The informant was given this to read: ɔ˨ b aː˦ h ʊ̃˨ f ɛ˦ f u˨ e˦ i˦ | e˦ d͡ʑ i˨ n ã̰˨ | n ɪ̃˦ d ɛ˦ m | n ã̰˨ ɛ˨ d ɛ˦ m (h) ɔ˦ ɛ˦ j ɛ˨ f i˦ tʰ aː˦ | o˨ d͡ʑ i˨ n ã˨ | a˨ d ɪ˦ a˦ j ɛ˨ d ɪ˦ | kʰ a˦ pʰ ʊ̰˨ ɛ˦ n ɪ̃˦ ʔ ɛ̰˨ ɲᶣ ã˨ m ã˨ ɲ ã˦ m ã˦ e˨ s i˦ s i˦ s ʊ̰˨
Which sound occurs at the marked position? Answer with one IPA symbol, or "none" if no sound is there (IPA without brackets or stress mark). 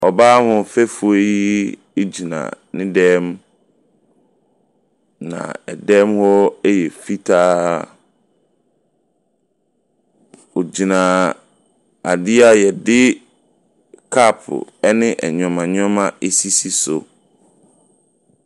h